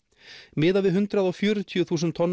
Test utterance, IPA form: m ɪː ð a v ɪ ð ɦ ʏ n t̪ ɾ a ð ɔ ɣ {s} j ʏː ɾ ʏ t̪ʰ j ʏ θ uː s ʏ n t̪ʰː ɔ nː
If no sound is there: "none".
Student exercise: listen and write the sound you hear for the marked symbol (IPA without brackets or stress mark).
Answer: f